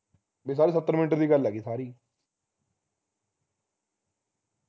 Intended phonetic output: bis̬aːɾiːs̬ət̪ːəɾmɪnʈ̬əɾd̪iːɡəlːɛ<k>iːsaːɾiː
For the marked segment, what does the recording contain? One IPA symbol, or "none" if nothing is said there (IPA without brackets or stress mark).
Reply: ɡ